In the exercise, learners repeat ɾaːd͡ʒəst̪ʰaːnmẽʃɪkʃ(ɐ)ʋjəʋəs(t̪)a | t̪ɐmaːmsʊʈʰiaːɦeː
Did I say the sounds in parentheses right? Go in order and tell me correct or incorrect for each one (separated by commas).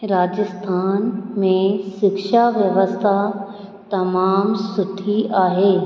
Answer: incorrect, incorrect